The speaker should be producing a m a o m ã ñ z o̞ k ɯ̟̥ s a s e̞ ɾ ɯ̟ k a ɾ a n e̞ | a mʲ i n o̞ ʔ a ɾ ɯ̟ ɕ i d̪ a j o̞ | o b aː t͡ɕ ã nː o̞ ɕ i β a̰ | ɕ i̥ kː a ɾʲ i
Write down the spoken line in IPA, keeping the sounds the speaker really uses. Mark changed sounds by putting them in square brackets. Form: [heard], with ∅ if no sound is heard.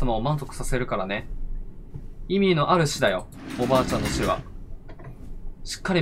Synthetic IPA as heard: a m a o m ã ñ z o̞ k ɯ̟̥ s a s e̞ ɾ ɯ̟ k a ɾ a n e̞ | [i] mʲ i n o̞ ʔ a ɾ ɯ̟ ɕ i d̪ a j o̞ | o b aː t͡ɕ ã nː o̞ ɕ i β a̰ | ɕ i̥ kː a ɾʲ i